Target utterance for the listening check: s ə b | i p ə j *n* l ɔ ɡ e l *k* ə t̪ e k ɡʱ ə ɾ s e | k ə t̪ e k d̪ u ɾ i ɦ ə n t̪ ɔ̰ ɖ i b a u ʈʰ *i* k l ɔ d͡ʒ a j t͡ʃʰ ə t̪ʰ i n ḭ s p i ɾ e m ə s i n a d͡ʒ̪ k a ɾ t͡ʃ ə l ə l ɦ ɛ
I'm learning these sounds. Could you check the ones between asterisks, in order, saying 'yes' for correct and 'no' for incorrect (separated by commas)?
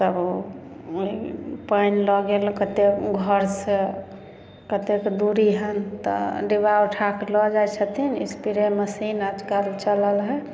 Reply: yes, yes, no